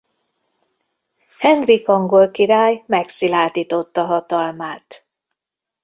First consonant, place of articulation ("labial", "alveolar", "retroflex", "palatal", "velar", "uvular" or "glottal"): glottal